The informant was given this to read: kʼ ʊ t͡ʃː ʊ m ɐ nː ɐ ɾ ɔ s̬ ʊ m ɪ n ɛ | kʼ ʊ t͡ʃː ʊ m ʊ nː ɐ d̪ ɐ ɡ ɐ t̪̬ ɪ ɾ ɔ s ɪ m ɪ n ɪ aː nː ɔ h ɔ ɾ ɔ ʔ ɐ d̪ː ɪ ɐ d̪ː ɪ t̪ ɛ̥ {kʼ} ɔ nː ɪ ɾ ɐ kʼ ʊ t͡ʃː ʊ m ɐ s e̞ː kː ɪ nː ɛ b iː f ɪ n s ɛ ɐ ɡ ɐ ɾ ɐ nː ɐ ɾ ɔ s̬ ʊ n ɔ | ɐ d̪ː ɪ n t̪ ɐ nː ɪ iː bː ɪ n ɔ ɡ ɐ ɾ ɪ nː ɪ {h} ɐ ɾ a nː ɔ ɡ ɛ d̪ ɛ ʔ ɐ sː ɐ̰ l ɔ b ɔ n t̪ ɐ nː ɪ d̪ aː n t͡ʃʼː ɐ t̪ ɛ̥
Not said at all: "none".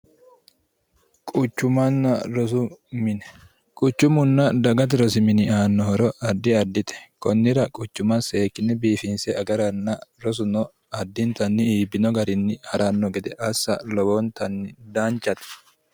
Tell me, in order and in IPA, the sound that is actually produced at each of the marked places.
k, h

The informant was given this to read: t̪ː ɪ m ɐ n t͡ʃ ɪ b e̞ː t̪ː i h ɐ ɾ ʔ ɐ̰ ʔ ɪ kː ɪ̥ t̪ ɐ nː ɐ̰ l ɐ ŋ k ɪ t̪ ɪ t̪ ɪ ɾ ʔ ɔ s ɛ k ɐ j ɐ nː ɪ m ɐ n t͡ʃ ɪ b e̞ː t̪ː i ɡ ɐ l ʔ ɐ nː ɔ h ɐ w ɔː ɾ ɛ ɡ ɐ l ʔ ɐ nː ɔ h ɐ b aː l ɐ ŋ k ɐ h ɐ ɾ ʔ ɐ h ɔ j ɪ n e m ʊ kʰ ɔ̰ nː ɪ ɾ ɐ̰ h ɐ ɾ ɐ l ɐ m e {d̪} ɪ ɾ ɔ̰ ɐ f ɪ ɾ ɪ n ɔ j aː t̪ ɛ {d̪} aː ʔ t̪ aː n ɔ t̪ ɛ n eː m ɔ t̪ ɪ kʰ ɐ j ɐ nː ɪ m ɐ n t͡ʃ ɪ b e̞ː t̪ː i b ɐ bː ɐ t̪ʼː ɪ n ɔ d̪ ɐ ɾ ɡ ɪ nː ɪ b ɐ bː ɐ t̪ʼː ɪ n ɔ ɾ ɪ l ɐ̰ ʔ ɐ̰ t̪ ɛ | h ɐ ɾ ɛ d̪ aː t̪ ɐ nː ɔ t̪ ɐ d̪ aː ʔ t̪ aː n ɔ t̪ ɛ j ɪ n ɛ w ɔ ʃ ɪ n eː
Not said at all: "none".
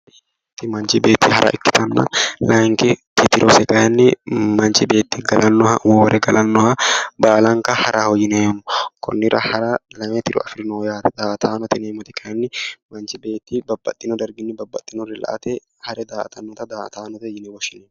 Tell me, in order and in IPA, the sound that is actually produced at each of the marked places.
t̪, d̪

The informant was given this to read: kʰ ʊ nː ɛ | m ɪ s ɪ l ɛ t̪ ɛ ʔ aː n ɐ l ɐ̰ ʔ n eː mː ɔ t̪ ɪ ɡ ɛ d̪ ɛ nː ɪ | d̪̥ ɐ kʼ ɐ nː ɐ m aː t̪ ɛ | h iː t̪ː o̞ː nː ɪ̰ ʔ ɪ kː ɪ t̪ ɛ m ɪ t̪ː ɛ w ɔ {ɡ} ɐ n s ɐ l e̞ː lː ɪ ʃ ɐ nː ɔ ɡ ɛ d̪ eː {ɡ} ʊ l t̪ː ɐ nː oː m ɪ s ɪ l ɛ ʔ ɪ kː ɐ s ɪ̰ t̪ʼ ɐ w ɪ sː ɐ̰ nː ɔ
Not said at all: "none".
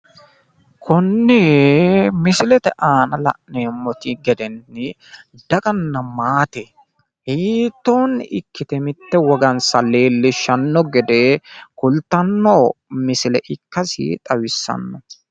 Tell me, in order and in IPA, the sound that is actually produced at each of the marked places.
ɡ, k

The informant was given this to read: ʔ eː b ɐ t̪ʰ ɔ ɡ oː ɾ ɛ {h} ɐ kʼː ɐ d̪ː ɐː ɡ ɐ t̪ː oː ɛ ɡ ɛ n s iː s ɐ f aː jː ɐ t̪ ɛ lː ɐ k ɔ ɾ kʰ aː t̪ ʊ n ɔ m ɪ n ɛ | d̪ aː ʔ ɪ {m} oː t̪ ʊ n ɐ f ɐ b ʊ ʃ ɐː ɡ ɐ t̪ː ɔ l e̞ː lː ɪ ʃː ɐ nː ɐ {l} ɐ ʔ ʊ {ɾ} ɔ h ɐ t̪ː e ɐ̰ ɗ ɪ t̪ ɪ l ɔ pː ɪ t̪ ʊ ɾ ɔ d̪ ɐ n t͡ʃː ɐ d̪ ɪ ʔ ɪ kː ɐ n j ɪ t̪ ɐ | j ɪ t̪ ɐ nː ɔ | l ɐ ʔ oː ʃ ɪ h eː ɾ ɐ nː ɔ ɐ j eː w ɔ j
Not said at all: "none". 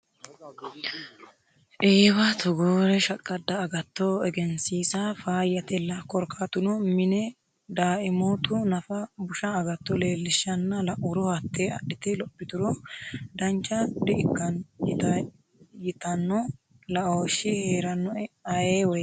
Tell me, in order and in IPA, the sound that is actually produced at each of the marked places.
ʃ, m, l, ɾ

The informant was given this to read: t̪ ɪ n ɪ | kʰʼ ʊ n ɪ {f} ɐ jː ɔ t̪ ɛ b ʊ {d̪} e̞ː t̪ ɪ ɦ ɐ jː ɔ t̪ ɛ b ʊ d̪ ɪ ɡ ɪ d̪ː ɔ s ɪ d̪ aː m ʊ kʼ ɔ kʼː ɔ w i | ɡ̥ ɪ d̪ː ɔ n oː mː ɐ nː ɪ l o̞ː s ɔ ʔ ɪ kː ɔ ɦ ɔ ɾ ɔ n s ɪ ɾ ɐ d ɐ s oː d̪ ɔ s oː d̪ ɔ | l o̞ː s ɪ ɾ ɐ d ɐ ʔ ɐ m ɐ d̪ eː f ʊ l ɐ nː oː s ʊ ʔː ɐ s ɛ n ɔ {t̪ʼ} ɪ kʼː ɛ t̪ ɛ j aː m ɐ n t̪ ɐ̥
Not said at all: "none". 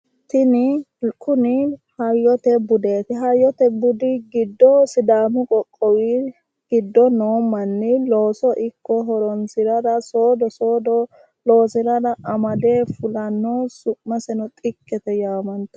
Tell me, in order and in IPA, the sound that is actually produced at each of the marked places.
h, d̪, t̪ʼ

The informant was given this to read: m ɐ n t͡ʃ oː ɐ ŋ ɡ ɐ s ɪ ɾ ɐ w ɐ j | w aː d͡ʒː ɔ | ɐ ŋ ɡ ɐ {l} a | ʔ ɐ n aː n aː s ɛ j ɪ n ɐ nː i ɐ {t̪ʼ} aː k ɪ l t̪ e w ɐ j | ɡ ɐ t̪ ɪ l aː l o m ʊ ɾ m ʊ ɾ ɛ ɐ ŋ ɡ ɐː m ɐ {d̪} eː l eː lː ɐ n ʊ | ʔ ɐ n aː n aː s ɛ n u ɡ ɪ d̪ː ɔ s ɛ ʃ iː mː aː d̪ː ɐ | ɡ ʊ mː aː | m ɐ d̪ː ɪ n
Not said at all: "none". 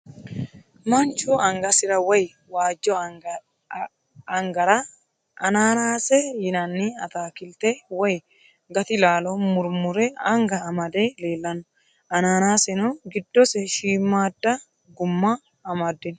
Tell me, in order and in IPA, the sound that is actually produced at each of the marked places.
ɾ, t̪, d̪

